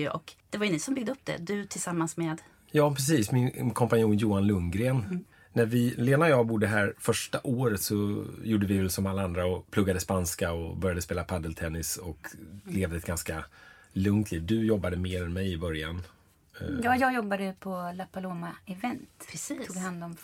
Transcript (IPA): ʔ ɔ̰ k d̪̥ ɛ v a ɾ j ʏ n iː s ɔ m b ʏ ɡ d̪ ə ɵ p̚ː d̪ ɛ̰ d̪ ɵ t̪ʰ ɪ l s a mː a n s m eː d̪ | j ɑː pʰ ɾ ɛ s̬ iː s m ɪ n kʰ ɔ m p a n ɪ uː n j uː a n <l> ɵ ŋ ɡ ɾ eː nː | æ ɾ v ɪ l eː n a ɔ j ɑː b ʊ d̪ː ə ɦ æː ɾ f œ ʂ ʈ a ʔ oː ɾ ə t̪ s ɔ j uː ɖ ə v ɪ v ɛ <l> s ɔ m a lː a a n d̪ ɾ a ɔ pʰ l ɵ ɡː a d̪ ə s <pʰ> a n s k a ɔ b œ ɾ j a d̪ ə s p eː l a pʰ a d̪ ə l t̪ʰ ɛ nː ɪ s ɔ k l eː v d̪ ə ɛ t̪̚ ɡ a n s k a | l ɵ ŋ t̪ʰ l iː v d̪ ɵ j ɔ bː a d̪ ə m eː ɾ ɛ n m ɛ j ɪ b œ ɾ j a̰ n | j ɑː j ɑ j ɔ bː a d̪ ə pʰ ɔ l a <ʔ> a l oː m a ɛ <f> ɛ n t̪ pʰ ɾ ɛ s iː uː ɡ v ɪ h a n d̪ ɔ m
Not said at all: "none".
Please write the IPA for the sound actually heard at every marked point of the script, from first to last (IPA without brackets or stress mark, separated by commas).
l, l, p, p, v